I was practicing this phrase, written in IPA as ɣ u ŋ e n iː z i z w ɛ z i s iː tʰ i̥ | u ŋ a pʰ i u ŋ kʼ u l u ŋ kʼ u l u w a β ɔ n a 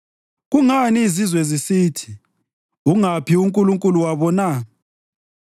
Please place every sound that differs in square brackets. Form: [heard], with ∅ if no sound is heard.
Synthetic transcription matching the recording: ɣ u ŋ [a] n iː z i z w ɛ z i s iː tʰ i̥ | u ŋ a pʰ i u ŋ kʼ u l u ŋ kʼ u l u w a β ɔ n a

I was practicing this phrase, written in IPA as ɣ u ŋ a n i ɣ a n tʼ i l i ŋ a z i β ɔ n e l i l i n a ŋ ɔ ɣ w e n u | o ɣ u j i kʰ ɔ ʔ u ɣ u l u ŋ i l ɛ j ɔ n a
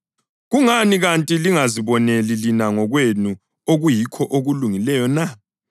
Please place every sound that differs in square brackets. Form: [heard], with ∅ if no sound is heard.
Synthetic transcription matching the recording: ɣ u ŋ a n i ɣ a n tʼ i l i ŋ a z i β ɔ n e l i l i n a ŋ ɔ ɣ w e n u | o ɣ u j i kʰ ɔ ʔ [o] ɣ u l u ŋ i l ɛ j ɔ n a

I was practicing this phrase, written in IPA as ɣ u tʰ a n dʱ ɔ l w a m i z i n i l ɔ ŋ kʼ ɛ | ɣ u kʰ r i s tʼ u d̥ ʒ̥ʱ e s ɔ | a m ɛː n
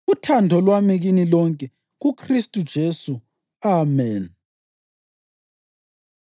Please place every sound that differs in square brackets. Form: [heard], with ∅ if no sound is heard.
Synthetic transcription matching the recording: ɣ u tʰ a n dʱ ɔ l w a m i [ɣ] i n i l ɔ ŋ kʼ ɛ | ɣ u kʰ r i s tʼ u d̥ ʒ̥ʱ e s [u] | a m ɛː n

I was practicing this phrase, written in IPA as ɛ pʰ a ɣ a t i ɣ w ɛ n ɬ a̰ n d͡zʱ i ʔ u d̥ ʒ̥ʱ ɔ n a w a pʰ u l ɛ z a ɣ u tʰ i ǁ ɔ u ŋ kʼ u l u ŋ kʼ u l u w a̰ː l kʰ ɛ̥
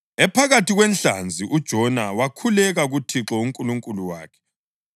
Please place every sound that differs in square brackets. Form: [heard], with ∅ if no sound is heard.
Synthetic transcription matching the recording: ɛ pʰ a ɣ a t i ɣ w ɛ n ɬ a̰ n d͡zʱ i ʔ u d̥ ʒ̥ʱ ɔ n a w a [kʰ] u l ɛ [ɣ] a ɣ u tʰ i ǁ ɔ u ŋ kʼ u l u ŋ kʼ u l u w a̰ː [∅] kʰ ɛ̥

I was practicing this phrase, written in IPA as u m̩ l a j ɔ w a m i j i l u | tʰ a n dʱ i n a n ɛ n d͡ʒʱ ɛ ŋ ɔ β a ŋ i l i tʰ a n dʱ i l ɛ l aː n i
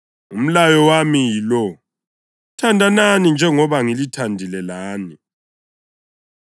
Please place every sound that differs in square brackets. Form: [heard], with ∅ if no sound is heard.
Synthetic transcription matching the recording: u m̩ l a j ɔ w a m i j i l [ɔ] | tʰ a n dʱ [a] n a n [i] n d͡ʒʱ ɛ ŋ ɔ β a ŋ i l i tʰ a n dʱ i l ɛ l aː n i

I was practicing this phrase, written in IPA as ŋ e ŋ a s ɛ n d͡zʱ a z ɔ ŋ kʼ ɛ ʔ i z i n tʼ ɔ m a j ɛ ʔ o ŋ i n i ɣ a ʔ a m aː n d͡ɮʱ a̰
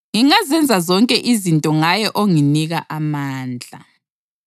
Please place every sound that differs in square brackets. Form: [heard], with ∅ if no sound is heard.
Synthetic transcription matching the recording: ŋ [i] ŋ a [z] ɛ n d͡zʱ a z ɔ ŋ kʼ ɛ ʔ i z i n tʼ ɔ [ŋ] a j ɛ ʔ o ŋ i n i ɣ a ʔ a m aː n d͡ɮʱ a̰

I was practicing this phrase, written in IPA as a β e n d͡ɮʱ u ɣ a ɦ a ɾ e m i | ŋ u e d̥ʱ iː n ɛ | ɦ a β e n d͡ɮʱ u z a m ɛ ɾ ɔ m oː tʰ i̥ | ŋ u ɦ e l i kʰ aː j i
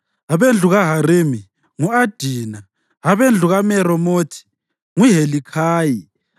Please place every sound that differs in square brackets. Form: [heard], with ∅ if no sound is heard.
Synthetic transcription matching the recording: a β e n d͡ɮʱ u ɣ a ɦ a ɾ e m i | ŋ u [a] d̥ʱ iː n [a] | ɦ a β e n d͡ɮʱ u [ɣ] a m ɛ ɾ ɔ m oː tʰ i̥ | ŋ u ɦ e l i kʰ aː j i

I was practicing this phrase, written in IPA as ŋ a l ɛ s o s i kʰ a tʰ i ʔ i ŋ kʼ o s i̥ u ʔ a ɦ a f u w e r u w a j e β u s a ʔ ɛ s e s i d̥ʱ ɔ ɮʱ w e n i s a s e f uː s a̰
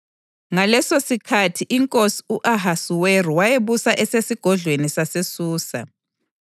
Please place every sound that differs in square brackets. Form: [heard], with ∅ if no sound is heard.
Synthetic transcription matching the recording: ŋ a l ɛ s o s i kʰ a tʰ i ʔ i ŋ kʼ o s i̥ u ʔ a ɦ a [s] u w e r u w a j e β u s a ʔ ɛ s e s i [ɡ̥ʱ] ɔ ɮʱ w e n i s a s e [s] uː s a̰

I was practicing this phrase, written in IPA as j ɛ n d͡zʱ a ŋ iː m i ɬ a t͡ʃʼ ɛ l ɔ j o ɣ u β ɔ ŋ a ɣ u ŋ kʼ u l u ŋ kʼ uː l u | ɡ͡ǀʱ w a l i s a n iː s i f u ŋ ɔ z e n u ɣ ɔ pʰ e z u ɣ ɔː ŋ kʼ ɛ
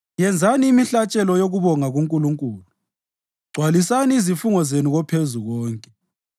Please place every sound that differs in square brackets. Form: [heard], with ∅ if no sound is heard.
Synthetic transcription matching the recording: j ɛ n d͡zʱ a [n] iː m i ɬ a t͡ʃʼ ɛ l ɔ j o ɣ u β ɔ ŋ a ɣ u ŋ kʼ u l u ŋ kʼ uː l u | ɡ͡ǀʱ w a l i s a n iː [z] i f u ŋ ɔ z e n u ɣ ɔ pʰ e z u ɣ ɔː ŋ kʼ ɛ

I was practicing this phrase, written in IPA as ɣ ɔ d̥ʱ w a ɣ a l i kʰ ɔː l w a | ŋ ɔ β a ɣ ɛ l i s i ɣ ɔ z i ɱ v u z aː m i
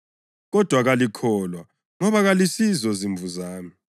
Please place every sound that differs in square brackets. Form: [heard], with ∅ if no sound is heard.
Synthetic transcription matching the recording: ɣ ɔ d̥ʱ w a ɣ a l i kʰ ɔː l w a | ŋ ɔ β a ɣ [a] l i s i [z] ɔ z i ɱ v u z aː m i

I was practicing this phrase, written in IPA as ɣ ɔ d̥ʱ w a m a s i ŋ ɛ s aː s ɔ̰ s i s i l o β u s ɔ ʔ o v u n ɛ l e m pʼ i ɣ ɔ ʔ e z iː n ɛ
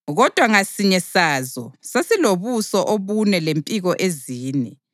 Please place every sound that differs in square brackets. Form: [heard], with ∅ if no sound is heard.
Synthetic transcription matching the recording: ɣ ɔ d̥ʱ w a [ŋ] a s i [ɲ] ɛ s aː [z] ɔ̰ s [a] s i l o β u s ɔ ʔ o [β] u n ɛ l e m pʼ i ɣ ɔ ʔ e z iː n ɛ

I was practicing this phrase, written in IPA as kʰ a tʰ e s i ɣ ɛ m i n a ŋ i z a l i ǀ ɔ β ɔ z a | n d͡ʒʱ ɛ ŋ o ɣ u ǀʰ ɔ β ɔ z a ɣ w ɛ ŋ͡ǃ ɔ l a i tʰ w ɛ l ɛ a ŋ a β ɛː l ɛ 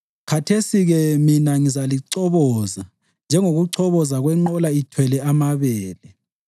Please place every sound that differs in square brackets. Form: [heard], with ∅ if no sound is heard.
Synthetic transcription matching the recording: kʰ a tʰ e s i ɣ ɛ m i n a ŋ i z a l i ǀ ɔ β ɔ z a | n d͡ʒʱ ɛ ŋ o ɣ u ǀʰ ɔ β ɔ z a ɣ w ɛ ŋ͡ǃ ɔ l a i tʰ w ɛ l ɛ a [m] a β ɛː l ɛ

